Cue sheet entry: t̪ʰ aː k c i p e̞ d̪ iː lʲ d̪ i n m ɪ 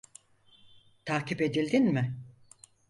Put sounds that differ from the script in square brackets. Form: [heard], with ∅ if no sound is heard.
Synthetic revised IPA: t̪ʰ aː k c i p e̞ d̪ [i] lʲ d̪ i n m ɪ